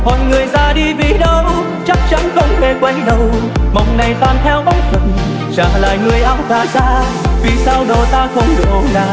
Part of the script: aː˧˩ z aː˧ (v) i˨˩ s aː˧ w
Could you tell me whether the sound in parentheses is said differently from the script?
no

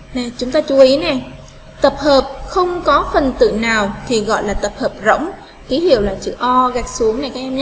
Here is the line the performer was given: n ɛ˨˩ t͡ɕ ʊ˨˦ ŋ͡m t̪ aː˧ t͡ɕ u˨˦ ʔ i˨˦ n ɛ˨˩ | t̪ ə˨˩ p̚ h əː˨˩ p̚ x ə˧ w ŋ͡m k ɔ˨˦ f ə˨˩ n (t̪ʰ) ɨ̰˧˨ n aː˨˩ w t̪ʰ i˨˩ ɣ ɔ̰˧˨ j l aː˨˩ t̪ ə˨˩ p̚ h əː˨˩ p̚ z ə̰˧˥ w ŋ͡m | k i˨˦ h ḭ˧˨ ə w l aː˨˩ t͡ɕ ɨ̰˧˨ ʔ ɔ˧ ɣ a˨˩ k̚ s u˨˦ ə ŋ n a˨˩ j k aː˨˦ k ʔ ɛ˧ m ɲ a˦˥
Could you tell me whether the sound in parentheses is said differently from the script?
yes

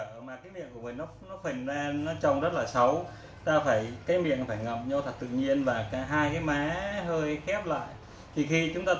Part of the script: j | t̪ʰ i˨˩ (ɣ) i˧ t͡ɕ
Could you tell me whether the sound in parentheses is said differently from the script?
yes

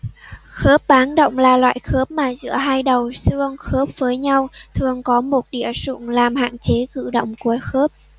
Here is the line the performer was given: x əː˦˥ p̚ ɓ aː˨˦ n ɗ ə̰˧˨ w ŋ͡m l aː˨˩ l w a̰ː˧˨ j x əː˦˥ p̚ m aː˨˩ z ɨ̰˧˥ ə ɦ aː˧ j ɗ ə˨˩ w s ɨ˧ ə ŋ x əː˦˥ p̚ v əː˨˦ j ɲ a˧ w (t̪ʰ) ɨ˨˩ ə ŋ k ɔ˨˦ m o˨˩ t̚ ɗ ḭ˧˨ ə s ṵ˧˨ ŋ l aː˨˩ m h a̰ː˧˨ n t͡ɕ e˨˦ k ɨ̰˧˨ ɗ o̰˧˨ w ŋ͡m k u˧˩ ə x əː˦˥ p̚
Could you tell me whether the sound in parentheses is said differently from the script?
no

